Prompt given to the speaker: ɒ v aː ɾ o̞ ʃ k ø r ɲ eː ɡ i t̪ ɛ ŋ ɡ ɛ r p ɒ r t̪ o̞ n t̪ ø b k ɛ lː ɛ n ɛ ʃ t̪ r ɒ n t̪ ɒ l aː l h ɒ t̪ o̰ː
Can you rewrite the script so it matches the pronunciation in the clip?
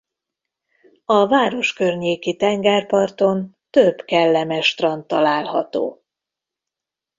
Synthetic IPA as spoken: ɒ v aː ɾ o̞ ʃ k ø r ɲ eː k i t̪ ɛ ŋ ɡ ɛ r p ɒ r t̪ o̞ n t̪ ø b k ɛ lː ɛ m ɛ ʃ t̪ r ɒ n t̪ ɒ l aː l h ɒ t̪ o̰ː